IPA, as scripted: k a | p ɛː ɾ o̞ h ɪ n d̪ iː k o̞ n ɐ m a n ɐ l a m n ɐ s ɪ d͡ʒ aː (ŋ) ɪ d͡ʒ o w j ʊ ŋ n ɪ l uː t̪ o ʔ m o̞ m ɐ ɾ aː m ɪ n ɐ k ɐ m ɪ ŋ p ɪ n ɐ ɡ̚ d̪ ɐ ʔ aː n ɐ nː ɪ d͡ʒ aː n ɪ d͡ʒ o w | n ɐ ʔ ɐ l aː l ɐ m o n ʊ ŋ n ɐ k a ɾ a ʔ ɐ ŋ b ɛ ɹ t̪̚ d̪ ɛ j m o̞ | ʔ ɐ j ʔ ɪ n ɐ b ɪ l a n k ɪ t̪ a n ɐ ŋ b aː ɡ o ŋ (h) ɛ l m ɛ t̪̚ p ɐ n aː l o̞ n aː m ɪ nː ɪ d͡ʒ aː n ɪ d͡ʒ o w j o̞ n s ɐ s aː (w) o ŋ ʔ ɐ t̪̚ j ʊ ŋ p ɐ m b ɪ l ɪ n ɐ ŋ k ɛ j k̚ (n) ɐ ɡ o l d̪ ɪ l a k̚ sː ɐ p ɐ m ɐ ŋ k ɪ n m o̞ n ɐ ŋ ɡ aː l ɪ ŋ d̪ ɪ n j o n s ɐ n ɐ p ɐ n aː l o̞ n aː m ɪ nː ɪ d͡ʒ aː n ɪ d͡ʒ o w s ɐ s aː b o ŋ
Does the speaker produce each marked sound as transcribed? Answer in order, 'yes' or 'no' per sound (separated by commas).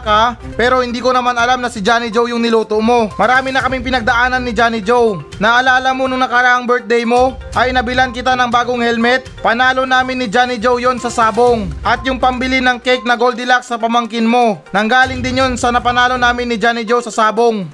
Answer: no, yes, no, yes